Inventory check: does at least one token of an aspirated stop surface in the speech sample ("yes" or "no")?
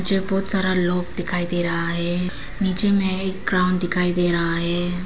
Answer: yes